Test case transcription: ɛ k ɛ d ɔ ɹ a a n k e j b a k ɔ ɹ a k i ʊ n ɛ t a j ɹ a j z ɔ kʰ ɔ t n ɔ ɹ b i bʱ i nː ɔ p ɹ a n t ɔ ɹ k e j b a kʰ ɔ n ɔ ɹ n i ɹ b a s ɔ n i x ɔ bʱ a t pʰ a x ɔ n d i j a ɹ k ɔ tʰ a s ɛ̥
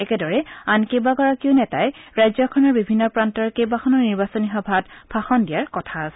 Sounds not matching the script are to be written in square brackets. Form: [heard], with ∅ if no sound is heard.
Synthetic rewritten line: ɛ k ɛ d ɔ ɹ [ɛ] a n k e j b a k ɔ ɹ a k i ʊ n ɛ t a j ɹ a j z ɔ kʰ ɔ [∅] n ɔ ɹ b i bʱ i nː ɔ p ɹ a n t ɔ ɹ k e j b a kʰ ɔ n ɔ ɹ n i ɹ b a s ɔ n i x ɔ bʱ a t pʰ a x ɔ n d i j a ɹ k ɔ tʰ a s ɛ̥